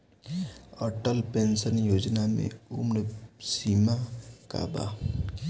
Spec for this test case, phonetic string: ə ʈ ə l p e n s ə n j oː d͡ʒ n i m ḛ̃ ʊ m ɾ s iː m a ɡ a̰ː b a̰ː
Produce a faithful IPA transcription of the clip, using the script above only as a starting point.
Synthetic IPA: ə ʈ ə l p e n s ə n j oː d͡ʒ n a m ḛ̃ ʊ m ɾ s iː m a k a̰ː b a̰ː

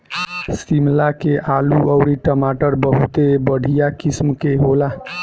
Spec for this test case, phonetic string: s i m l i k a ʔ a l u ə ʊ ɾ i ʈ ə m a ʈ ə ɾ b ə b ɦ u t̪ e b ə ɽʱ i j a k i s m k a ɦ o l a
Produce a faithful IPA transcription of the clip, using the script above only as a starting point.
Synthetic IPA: s i m l a k e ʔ a l u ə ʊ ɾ i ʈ ə m a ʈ ə ɾ b ə ɦ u t̪ e b ə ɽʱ i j a k i s m k e ɦ o l a

